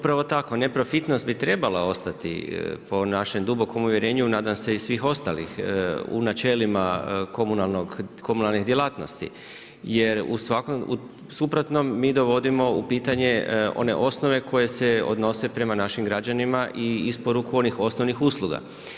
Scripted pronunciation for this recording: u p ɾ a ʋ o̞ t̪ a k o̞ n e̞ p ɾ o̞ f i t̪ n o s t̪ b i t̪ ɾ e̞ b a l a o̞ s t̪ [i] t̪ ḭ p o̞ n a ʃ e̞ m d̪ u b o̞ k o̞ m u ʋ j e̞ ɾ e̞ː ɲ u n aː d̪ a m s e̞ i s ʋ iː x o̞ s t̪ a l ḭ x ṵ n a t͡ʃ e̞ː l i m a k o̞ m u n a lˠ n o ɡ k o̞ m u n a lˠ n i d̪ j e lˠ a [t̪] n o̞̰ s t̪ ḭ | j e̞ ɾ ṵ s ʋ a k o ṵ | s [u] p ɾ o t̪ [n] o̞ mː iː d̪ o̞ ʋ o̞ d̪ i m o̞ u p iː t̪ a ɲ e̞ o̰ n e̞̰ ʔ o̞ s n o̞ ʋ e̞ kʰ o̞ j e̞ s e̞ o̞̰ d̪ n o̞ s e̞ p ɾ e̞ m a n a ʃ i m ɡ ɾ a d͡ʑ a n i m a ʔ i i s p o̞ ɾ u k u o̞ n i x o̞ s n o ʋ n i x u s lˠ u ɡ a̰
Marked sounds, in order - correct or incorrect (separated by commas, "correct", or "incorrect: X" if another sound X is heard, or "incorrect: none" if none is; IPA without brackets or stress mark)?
incorrect: a, correct, correct, correct